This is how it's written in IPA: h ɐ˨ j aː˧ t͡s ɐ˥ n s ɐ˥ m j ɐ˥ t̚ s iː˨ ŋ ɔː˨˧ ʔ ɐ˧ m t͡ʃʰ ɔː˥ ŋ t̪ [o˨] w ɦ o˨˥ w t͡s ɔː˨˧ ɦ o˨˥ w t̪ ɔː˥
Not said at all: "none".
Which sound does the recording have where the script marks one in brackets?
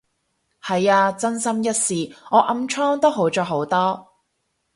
o˥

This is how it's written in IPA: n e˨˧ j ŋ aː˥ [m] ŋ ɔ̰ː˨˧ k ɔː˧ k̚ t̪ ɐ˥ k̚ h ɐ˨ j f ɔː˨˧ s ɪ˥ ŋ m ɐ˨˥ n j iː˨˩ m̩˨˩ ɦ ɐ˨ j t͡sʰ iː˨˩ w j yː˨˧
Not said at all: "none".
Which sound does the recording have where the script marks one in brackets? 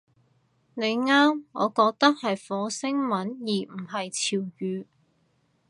m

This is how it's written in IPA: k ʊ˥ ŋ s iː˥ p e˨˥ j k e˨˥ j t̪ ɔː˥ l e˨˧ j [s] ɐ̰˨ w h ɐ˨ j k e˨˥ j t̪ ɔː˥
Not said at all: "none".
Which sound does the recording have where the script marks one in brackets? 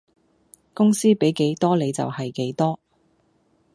t͡s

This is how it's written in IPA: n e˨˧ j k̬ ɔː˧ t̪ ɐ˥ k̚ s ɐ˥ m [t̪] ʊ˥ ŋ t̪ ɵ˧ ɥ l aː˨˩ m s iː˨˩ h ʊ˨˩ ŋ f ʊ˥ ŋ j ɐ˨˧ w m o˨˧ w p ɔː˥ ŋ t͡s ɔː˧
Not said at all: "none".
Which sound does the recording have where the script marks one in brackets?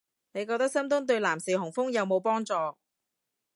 t̪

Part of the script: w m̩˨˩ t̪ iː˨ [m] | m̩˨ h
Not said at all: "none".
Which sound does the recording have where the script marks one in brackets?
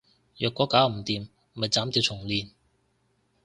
m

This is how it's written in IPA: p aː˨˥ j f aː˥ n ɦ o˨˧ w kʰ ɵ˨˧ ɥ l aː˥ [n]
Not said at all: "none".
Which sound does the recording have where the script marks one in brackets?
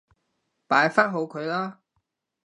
none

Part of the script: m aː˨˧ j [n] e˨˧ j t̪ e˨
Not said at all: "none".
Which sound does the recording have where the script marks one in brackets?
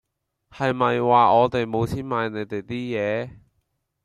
n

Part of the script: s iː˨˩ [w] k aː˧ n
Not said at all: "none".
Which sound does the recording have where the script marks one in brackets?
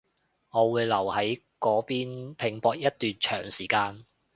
none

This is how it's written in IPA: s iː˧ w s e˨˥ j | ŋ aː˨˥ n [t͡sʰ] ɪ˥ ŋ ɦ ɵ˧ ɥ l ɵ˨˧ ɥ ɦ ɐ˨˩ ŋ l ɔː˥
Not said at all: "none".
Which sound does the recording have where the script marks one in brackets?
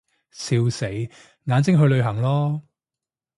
t͡s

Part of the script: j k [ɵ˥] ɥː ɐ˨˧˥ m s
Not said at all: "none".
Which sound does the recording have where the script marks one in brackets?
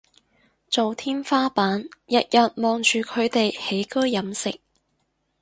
ɵ˥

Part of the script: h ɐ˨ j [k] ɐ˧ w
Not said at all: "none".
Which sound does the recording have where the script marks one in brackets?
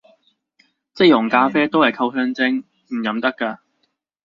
kʰ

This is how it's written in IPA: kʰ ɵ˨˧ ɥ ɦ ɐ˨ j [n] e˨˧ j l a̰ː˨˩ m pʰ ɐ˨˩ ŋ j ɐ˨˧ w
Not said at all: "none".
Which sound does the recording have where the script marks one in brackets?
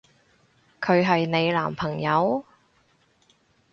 n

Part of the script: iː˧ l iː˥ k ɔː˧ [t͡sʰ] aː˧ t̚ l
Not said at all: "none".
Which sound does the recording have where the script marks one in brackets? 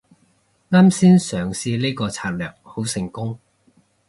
t͡sʰ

